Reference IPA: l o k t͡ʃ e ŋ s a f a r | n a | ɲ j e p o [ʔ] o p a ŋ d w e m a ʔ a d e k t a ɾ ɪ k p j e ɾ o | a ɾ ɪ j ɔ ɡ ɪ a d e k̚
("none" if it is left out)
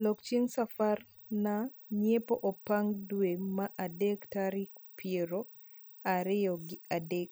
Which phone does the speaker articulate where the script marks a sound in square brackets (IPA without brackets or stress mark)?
ʔ